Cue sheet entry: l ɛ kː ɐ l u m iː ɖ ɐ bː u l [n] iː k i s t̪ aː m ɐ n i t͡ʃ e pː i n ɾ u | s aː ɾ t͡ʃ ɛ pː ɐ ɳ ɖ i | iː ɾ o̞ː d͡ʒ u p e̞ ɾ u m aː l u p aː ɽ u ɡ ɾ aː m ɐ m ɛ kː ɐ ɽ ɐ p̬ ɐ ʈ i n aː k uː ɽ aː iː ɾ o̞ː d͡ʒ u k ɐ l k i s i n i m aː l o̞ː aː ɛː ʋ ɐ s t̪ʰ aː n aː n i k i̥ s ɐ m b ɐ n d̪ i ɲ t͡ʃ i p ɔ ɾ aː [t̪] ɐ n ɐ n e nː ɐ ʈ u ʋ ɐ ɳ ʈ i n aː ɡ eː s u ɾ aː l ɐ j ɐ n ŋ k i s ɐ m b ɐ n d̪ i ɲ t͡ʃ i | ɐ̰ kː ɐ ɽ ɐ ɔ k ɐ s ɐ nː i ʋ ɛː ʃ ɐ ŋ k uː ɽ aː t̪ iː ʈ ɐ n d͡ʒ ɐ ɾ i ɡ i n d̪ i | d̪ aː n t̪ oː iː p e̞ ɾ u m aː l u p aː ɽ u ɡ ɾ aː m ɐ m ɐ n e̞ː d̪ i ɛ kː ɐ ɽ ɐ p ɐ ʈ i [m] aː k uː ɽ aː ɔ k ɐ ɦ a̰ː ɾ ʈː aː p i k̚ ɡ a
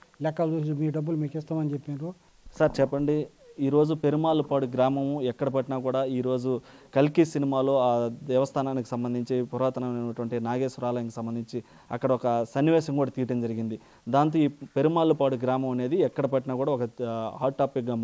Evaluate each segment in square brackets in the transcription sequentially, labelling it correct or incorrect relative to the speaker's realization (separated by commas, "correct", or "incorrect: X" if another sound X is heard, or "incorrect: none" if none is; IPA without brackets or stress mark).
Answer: incorrect: m, correct, incorrect: n